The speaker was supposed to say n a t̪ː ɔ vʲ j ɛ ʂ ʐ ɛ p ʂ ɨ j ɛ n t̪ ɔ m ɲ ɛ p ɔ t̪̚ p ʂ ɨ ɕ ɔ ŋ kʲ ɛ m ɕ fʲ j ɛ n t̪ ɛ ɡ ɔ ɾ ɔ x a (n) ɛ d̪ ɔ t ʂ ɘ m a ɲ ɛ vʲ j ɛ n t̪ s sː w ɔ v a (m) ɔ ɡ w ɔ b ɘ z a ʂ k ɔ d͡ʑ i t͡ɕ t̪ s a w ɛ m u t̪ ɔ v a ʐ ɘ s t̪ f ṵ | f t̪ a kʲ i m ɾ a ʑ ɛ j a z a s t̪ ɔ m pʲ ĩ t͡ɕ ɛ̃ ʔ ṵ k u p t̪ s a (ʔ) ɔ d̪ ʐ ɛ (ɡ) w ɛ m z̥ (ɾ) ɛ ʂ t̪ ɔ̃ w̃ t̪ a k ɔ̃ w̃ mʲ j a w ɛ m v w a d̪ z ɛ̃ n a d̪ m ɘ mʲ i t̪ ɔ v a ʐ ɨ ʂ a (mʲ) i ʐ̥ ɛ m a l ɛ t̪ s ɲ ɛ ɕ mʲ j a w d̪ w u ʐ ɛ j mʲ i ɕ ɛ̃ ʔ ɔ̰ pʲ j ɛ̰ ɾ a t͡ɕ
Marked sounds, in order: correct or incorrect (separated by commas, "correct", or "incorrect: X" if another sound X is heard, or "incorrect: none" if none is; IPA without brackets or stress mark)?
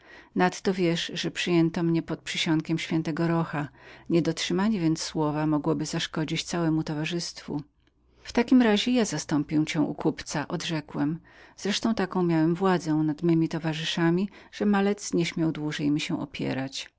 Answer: incorrect: ɲ, correct, correct, incorrect: k, correct, correct